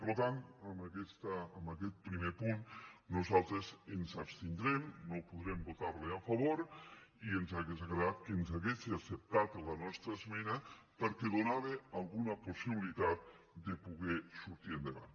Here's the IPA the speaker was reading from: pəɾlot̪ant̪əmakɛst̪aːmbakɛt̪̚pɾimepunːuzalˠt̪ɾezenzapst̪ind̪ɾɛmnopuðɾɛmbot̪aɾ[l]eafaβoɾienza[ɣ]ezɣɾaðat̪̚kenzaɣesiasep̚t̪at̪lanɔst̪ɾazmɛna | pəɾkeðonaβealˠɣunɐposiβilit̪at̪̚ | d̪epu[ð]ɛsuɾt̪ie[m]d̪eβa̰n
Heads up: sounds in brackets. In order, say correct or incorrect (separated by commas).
correct, correct, incorrect, incorrect